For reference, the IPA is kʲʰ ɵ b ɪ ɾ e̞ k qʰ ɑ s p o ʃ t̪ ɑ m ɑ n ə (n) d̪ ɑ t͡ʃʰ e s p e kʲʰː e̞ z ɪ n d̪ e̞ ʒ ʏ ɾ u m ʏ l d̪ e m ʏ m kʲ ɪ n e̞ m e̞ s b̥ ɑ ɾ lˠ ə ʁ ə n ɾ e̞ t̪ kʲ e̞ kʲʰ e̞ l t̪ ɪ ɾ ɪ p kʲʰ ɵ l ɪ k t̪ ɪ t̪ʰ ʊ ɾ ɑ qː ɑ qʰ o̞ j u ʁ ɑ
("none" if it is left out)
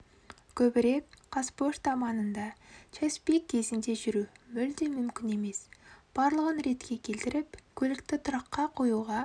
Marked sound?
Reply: n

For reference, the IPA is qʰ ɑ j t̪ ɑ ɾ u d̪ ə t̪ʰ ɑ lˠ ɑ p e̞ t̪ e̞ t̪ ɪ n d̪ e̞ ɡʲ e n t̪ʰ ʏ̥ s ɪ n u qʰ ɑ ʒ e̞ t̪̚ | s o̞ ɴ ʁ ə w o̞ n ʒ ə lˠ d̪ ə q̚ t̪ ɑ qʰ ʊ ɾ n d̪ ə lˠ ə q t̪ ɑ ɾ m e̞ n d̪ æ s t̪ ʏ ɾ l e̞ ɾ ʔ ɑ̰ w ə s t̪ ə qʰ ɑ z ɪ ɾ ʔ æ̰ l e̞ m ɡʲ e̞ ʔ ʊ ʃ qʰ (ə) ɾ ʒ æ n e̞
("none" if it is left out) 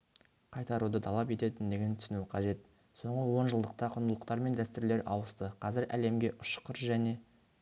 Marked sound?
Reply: ə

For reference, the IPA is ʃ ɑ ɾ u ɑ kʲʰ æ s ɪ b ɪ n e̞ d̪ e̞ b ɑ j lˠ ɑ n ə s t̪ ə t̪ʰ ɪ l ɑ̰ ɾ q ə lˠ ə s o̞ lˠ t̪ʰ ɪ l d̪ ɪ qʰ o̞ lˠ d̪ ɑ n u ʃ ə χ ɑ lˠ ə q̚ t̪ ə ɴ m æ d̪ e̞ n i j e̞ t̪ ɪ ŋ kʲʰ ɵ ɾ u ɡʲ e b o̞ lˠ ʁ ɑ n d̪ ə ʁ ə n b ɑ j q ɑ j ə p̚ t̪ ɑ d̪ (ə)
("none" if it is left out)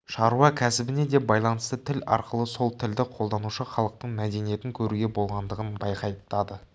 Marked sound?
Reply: ə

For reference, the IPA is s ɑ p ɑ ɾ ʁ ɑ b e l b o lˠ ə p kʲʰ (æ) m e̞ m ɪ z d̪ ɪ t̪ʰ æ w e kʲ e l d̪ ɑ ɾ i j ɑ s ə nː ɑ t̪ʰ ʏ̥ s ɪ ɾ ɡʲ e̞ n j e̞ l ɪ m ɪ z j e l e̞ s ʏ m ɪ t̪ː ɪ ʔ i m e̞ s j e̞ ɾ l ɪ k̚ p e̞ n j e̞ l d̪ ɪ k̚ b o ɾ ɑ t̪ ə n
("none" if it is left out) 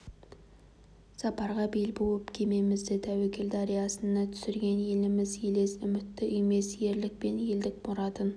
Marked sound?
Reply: e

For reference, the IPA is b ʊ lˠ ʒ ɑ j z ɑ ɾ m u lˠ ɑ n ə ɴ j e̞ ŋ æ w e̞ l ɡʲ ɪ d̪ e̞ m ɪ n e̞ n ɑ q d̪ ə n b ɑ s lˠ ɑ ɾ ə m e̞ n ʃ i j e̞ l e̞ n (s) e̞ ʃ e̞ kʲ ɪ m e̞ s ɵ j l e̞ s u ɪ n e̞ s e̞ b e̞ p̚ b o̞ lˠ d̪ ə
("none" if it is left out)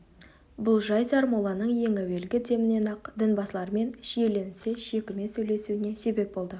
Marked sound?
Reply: s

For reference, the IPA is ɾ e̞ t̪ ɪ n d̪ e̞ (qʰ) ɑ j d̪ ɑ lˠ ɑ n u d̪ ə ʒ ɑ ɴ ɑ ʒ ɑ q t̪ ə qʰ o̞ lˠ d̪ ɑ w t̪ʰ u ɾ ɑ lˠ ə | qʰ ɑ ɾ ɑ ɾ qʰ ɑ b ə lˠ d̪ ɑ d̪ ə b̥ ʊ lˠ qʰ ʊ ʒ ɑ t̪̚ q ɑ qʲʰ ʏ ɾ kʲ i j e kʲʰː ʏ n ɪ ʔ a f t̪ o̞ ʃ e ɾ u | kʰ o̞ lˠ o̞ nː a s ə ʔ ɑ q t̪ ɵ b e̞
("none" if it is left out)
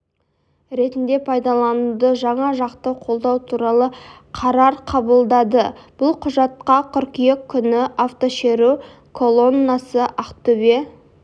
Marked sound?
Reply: pʰ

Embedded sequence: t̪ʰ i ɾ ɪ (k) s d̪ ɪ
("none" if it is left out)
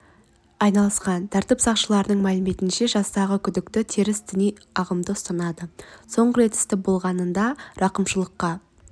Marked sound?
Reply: none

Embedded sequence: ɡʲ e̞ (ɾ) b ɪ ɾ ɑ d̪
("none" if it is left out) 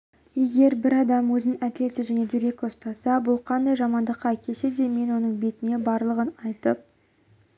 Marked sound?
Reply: ɾ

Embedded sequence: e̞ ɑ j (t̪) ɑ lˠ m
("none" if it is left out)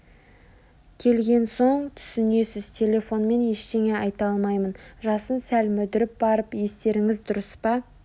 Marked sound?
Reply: t̪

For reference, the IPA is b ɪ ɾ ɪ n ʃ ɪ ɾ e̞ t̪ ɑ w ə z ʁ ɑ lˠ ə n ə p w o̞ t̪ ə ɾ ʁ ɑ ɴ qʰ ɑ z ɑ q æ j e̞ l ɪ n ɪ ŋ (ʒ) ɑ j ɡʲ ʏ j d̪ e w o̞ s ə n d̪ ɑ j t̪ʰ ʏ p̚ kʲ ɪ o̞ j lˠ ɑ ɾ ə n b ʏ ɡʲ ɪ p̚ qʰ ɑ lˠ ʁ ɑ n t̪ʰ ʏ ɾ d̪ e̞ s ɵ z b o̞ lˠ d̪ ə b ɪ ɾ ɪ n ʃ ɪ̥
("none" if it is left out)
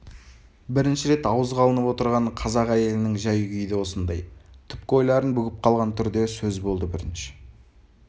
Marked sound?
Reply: ʒ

